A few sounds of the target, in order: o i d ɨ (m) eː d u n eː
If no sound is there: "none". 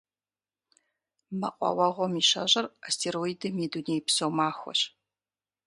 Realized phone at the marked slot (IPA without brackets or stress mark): m